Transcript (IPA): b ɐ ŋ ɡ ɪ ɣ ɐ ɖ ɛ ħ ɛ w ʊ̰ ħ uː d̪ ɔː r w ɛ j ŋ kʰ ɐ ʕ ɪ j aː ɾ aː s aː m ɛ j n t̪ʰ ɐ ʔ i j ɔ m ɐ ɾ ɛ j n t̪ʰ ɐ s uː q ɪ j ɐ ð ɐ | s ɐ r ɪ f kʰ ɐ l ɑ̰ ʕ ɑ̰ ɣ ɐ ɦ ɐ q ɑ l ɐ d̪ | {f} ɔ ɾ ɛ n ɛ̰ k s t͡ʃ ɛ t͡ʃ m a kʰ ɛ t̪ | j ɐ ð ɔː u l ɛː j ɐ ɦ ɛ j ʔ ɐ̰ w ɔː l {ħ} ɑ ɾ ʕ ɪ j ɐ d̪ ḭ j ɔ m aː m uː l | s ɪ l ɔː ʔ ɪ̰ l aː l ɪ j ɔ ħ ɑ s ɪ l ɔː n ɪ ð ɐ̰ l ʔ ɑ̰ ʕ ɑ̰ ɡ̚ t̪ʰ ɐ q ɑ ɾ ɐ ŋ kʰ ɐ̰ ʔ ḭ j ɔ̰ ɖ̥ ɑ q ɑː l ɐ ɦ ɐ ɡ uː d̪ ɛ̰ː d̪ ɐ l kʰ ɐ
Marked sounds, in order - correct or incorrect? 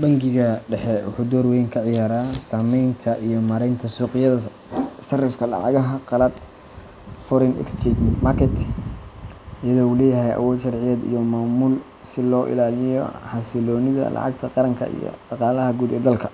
correct, incorrect

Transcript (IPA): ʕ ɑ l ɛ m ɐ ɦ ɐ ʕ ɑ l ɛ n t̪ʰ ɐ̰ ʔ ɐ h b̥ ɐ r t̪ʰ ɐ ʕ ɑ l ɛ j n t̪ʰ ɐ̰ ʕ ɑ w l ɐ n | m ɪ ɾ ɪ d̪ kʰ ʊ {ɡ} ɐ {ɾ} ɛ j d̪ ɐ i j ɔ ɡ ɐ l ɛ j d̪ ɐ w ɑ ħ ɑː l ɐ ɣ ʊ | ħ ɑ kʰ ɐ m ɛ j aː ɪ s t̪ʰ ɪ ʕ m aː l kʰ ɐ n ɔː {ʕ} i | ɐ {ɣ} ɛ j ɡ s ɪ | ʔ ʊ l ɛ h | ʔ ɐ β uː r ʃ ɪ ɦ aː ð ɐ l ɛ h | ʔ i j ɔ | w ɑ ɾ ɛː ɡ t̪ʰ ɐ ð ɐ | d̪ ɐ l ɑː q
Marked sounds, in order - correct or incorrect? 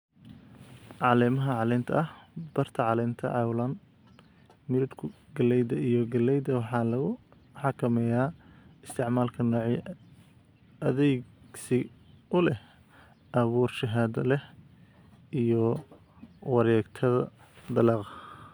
correct, incorrect, correct, incorrect

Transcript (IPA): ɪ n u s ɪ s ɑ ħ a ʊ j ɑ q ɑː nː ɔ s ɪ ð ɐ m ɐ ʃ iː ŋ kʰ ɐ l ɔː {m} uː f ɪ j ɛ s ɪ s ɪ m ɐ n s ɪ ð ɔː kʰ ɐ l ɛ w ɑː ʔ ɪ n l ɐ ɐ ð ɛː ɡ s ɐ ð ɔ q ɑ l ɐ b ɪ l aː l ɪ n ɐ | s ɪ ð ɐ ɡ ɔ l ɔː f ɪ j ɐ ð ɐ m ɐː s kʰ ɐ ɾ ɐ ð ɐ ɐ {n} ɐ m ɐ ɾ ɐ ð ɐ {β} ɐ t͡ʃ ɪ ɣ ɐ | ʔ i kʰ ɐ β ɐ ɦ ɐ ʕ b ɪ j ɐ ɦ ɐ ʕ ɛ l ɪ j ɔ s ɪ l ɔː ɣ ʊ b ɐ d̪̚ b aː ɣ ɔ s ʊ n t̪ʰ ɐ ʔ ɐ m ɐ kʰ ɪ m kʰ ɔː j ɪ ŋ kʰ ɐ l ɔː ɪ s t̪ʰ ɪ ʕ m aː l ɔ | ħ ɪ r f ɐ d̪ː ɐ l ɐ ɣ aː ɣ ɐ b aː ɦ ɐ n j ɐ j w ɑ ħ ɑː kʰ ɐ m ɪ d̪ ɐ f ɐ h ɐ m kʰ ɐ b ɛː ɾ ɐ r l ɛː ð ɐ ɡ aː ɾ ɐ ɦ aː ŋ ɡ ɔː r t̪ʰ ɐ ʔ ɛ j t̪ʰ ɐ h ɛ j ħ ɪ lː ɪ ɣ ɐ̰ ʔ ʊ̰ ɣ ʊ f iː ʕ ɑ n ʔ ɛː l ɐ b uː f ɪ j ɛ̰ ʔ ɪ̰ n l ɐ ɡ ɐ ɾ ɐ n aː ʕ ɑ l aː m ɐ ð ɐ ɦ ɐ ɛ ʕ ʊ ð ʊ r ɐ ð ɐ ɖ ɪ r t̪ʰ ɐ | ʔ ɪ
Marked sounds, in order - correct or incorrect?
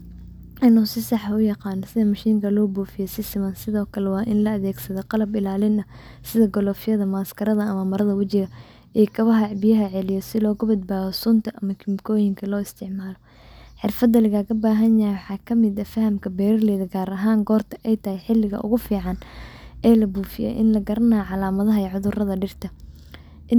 incorrect, incorrect, incorrect

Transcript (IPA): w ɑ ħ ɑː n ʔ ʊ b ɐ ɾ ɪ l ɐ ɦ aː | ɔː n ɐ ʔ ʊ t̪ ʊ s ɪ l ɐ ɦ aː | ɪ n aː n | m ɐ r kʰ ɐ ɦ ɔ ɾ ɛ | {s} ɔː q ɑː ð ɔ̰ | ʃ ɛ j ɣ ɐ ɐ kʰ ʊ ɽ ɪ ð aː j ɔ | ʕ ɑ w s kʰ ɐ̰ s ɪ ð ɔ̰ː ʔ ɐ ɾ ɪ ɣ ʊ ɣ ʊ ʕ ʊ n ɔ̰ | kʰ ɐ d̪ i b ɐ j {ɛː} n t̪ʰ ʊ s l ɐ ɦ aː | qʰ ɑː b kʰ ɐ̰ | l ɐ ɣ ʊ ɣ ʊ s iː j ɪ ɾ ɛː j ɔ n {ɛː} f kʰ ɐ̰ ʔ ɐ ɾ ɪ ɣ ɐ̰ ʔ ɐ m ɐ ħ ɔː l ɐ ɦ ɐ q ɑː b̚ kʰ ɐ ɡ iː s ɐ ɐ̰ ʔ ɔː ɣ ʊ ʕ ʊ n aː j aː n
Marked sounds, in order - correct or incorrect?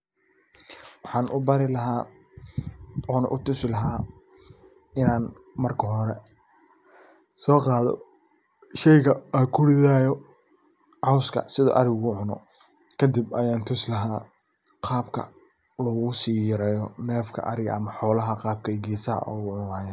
correct, incorrect, correct

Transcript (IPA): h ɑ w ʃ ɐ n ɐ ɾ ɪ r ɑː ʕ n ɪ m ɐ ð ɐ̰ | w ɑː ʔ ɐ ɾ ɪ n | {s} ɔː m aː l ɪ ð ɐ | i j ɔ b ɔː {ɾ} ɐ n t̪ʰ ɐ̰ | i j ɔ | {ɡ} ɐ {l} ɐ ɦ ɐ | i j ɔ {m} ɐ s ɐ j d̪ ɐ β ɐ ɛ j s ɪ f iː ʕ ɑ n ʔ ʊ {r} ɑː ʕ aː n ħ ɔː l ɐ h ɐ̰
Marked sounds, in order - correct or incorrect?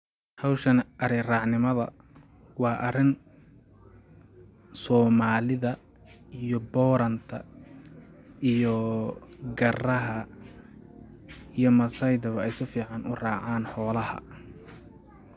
correct, correct, correct, incorrect, correct, correct

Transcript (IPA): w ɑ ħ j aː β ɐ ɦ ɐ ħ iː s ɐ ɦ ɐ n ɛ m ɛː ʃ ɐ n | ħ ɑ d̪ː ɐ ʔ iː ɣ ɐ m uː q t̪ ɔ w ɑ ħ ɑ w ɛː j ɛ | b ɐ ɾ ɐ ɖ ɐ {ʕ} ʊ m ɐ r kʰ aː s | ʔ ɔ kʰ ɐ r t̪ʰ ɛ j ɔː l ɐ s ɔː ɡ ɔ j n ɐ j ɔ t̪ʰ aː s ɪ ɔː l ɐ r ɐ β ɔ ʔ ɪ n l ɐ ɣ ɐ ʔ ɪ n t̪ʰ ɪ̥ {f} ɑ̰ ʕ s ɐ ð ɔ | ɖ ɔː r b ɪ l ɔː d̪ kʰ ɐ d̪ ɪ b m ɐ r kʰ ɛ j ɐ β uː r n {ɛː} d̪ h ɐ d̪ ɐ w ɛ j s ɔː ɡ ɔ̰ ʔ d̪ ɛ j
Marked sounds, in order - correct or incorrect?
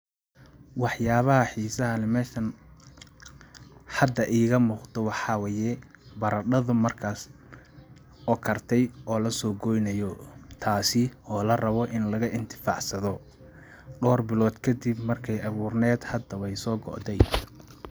incorrect, correct, correct

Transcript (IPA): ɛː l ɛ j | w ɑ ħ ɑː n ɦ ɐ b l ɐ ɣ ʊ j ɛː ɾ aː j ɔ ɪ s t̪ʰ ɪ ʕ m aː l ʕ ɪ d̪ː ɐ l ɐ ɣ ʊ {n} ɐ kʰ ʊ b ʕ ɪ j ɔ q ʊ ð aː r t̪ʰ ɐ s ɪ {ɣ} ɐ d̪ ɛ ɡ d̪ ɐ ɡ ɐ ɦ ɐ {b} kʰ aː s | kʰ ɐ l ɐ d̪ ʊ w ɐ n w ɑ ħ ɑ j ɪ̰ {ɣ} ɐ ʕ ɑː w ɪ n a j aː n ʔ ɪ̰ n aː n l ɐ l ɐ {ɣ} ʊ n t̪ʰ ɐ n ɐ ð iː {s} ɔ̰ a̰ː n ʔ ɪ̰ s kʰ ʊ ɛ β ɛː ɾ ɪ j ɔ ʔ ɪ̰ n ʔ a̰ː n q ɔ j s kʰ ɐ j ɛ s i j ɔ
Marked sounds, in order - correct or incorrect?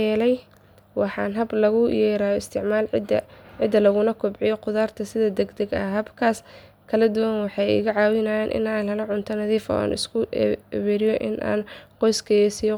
correct, incorrect, correct, correct, incorrect, incorrect

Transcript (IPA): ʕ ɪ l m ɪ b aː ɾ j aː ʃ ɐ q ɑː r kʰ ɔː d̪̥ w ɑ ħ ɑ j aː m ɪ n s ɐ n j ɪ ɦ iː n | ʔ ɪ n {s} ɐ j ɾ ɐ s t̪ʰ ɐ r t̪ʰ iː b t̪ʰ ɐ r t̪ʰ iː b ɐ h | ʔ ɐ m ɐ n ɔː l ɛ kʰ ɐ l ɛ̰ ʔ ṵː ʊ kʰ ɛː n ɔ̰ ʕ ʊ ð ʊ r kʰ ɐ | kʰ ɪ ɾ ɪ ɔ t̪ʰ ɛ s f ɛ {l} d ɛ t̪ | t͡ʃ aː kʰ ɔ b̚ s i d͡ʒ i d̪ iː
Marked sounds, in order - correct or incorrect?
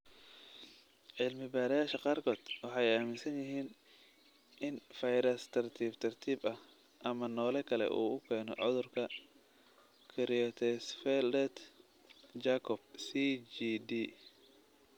incorrect, correct

